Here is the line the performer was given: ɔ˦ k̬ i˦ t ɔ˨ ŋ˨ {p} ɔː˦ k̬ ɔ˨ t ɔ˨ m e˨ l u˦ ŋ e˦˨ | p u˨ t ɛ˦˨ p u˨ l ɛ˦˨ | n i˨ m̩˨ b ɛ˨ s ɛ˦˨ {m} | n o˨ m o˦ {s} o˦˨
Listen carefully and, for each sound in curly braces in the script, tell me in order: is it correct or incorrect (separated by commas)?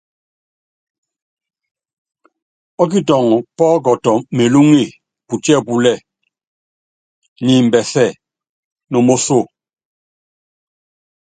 correct, incorrect, correct